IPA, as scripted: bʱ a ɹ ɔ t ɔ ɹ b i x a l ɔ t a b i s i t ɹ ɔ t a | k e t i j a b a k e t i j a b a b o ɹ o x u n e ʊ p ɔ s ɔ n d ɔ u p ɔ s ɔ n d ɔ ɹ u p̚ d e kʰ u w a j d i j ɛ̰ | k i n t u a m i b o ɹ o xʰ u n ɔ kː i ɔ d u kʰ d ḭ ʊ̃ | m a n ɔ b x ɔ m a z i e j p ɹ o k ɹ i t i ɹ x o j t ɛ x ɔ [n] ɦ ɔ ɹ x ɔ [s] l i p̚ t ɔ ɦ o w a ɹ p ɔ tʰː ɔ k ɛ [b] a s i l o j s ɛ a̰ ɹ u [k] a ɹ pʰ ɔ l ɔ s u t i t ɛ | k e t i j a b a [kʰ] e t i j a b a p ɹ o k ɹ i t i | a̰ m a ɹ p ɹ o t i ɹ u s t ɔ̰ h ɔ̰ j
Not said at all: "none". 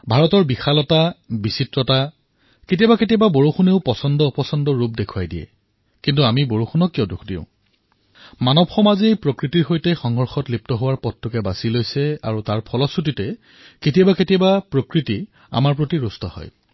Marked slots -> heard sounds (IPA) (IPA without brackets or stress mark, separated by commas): ŋ, t, b, t, k